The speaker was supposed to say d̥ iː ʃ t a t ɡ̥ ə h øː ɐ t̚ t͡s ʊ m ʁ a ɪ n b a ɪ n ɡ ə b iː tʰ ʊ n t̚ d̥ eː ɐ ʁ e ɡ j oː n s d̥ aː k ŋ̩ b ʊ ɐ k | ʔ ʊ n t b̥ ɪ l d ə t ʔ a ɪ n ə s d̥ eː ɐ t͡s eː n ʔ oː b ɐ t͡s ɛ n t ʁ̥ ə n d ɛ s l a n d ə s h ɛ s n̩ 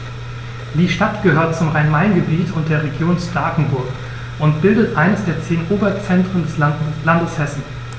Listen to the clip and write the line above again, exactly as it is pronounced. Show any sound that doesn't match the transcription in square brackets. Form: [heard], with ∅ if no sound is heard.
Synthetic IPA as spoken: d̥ iː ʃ t a t ɡ̥ ə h øː ɐ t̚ t͡s ʊ m ʁ a ɪ n [m] a ɪ n ɡ ə b iː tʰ ʊ n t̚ d̥ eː ɐ ʁ e ɡ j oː n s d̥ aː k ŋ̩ b ʊ ɐ k | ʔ ʊ n t b̥ ɪ l d ə t ʔ a ɪ n ə s d̥ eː ɐ t͡s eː n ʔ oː b ɐ t͡s ɛ n t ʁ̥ ə n d ɛ s l a n d ə s h ɛ s n̩